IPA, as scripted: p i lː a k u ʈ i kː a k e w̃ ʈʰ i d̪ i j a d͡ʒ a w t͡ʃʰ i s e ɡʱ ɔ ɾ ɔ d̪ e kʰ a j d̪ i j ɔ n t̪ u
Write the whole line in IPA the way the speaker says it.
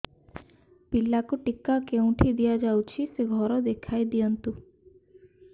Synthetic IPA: p i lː a k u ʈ i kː a k e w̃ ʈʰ i d̪ i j a d͡ʒ a w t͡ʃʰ i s e ɡʱ ɔ ɾ ɔ d̪ e kʰ a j d̪ i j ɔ n t̪ u